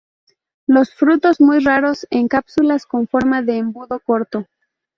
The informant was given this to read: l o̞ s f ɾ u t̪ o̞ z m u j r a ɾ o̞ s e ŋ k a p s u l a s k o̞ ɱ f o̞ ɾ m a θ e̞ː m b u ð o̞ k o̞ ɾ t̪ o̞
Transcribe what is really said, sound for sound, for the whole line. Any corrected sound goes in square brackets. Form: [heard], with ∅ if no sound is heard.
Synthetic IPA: l o̞ s f ɾ u t̪ o̞ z m u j r a ɾ o̞ s e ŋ k a p s u l a s k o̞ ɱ f o̞ ɾ m a [ð] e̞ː m b u ð o̞ k o̞ ɾ t̪ o̞